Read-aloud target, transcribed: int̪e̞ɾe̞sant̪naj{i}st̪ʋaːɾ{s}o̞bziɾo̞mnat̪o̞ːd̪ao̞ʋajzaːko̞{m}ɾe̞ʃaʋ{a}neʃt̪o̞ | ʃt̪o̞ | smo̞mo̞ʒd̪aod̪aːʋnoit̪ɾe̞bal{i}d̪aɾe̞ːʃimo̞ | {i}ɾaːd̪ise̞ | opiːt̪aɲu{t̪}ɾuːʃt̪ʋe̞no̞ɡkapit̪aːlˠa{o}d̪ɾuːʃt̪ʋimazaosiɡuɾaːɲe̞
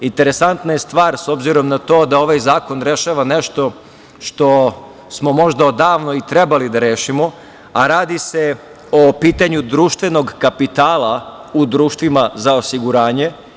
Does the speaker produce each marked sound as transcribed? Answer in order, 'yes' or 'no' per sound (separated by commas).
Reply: no, yes, no, yes, yes, no, no, no